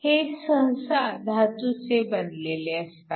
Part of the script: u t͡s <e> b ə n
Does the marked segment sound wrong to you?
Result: no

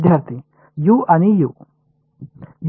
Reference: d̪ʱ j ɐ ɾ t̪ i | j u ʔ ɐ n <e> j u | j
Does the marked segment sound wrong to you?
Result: yes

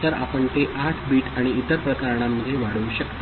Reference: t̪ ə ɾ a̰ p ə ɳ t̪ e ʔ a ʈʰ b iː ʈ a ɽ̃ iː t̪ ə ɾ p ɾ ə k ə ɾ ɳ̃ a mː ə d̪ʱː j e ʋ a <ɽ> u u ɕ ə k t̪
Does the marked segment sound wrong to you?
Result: no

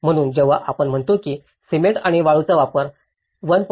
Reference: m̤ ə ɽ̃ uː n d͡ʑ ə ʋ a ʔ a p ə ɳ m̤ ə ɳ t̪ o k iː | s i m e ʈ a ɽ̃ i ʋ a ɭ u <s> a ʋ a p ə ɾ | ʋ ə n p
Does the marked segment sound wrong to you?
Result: yes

